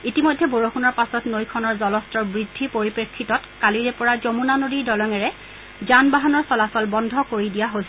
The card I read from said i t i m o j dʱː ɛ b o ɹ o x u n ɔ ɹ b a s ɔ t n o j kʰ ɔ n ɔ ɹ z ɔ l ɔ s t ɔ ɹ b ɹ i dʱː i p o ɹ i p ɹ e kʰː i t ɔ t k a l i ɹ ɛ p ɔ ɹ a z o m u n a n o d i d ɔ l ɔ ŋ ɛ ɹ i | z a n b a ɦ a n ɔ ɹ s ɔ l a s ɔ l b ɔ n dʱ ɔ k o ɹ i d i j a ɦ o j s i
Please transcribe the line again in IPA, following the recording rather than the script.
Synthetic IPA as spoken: i t i m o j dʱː ɛ b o ɹ o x u n ɔ ɹ p a s ɔ t n o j kʰ ɔ n ɔ ɹ z ɔ l ɔ s t ɔ ɹ b ɹ i dʱː i p o ɹ i p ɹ e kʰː i t ɔ t k a l i ɹ ɛ p ɔ ɹ a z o m u n a n o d i d ɔ l ɔ ŋ ɛ ɹ ɛ | z a n b a ɦ a n ɔ ɹ s ɔ l a s ɔ l b ɔ n dʱ ɔ k o ɹ i d i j a ɦ o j s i